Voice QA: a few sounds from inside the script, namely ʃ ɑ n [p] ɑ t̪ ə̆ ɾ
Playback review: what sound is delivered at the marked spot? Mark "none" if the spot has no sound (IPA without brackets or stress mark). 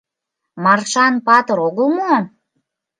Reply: p